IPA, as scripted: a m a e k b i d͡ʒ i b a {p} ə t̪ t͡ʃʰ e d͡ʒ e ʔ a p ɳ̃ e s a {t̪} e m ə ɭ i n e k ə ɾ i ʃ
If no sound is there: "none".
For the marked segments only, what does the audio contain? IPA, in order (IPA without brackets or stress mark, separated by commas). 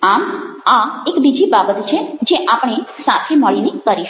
b, t̪ʰ